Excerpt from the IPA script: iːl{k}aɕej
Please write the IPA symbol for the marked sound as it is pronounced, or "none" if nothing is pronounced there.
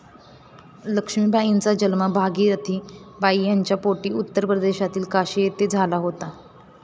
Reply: k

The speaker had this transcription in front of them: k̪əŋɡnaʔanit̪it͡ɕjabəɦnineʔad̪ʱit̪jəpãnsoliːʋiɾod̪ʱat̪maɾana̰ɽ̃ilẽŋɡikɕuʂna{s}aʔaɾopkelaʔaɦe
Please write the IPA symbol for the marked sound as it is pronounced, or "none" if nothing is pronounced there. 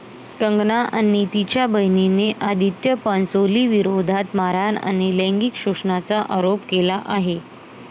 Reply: t͡s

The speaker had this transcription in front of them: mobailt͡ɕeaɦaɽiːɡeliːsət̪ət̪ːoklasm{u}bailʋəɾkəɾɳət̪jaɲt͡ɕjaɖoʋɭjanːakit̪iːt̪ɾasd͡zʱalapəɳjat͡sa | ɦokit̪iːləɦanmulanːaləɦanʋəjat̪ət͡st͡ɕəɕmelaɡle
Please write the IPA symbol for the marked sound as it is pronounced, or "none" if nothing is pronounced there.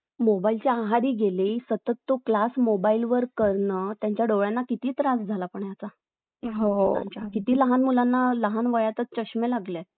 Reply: o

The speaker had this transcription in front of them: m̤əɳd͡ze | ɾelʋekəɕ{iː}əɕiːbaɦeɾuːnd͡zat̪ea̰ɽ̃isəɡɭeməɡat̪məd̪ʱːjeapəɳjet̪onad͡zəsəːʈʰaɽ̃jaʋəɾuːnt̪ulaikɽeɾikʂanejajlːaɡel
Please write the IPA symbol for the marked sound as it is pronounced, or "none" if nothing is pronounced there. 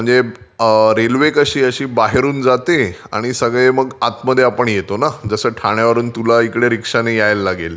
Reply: iː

